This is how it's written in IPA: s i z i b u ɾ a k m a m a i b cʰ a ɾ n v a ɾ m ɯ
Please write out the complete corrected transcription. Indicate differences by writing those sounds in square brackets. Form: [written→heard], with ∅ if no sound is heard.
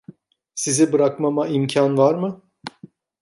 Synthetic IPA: s i z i b [u→ɯ] ɾ a k m a m a i [b→m] cʰ a [ɾ→∅] n v a ɾ m ɯ